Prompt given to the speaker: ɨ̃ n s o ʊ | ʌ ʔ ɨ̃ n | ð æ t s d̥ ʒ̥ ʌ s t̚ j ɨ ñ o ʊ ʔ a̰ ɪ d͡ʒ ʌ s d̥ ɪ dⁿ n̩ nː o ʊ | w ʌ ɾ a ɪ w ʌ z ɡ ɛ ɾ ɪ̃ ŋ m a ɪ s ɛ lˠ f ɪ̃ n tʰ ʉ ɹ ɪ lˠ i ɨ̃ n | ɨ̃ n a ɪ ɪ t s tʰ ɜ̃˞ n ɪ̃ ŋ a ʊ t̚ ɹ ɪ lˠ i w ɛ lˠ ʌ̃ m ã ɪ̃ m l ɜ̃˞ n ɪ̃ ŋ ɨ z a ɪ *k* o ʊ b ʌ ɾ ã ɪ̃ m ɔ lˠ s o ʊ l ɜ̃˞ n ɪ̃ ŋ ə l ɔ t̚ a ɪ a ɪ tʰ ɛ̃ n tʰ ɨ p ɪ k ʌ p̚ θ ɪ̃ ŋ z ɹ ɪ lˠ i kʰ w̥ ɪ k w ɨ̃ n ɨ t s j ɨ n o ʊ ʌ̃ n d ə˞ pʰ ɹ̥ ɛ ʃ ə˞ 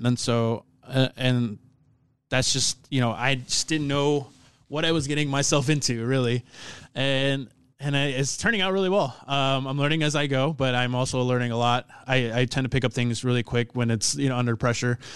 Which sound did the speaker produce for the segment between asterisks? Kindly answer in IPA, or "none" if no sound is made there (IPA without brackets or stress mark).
ɡ